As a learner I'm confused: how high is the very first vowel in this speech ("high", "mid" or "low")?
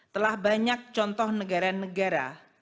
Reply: mid